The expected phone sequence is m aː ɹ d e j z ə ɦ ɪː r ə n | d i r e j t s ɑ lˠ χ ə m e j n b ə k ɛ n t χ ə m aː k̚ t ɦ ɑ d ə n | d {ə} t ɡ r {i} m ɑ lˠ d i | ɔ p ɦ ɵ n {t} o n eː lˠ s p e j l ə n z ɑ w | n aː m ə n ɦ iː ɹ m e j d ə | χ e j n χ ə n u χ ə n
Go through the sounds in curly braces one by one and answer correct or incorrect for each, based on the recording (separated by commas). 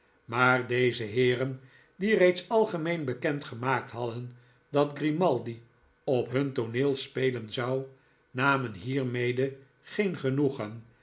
incorrect, correct, correct